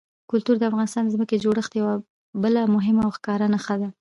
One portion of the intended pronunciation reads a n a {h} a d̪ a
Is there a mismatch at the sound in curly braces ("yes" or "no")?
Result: yes